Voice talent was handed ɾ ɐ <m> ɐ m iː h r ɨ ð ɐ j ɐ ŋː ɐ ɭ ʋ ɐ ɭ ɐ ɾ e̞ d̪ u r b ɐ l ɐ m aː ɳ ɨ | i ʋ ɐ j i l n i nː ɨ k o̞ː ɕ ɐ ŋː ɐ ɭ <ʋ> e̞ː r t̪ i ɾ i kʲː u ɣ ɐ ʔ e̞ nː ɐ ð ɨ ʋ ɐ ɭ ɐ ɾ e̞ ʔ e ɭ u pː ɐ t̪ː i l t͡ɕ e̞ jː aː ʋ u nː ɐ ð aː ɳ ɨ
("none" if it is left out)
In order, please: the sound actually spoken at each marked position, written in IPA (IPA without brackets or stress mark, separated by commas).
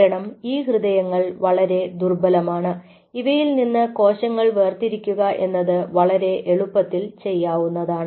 ɳ, ʋ